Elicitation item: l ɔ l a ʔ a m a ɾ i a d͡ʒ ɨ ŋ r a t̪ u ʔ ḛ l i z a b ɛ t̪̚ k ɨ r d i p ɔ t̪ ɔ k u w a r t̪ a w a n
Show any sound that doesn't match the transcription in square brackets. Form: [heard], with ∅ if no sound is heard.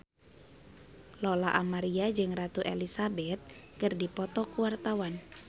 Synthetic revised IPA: l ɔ l a ʔ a m a ɾ i a d͡ʒ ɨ ŋ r a t̪ u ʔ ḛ l i [s] a b ɛ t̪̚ k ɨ r d i p ɔ t̪ ɔ k u w a r t̪ a w a n